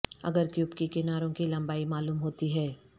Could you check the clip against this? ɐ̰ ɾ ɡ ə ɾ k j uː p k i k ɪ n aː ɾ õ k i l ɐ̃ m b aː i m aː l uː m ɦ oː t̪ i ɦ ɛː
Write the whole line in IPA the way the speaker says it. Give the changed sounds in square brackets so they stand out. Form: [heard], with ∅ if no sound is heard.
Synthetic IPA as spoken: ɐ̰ [∅] ɡ ə ɾ k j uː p k i k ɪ n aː ɾ õ k i l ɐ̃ m b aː i m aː l uː m ɦ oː t̪ i ɦ ɛː

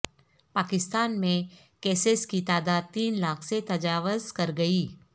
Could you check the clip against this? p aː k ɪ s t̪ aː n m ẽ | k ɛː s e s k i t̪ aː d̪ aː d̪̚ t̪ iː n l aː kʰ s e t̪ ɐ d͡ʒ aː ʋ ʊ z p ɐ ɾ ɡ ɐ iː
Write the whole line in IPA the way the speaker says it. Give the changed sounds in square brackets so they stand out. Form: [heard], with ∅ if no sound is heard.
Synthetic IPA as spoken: p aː k ɪ s t̪ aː n m ẽ | k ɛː s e s k i t̪ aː d̪ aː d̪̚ t̪ iː n l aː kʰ s e t̪ ɐ d͡ʒ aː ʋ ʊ z [k] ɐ ɾ ɡ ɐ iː

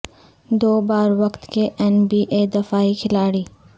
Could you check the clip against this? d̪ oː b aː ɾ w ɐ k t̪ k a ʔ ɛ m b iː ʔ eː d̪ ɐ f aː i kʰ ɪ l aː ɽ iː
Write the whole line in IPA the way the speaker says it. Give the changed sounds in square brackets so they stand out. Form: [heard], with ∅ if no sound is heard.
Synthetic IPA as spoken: d̪ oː b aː ɾ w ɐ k t̪ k [e] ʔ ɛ [n] b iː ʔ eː d̪ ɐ f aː i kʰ ɪ l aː ɽ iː

